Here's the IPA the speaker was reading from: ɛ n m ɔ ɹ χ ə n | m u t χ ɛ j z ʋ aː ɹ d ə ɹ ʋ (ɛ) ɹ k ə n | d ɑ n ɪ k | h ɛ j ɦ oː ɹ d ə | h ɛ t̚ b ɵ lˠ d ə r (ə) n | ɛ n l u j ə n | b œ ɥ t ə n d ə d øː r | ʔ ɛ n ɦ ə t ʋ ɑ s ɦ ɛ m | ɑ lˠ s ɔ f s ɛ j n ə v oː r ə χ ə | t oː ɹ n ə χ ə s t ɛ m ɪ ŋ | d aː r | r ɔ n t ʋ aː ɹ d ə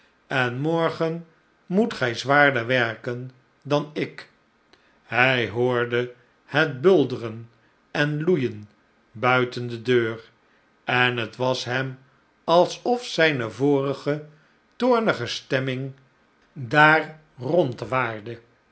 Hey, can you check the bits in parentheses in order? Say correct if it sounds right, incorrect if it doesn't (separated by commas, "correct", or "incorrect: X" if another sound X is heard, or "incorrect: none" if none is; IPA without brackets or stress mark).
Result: correct, correct